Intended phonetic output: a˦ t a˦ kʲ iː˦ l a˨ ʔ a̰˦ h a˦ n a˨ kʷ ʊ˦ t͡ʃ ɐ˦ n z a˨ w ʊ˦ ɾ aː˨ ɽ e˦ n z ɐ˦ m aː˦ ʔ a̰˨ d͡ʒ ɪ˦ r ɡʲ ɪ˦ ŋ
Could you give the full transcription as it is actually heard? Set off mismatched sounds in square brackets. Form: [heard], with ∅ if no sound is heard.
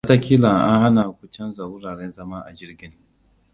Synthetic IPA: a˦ t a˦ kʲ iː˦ l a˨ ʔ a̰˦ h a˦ n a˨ kʷ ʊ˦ t͡ʃ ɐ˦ n z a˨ w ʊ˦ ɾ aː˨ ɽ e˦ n z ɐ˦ m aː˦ ʔ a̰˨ d͡ʒ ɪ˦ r ɡʲ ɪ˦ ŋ